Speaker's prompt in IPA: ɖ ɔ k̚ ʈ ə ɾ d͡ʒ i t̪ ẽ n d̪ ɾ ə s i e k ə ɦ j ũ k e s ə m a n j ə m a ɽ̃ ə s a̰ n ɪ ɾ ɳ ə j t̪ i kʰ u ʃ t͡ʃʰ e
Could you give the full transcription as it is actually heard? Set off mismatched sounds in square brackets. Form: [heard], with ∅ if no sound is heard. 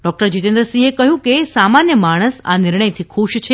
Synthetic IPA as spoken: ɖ ɔ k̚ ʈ ə ɾ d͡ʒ i t̪ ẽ n d̪ ɾ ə s i e k ə ɦ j ũ k e s [a] m a n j ə m a ɽ̃ ə s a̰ n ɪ ɾ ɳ ə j [t̪ʰ] i kʰ u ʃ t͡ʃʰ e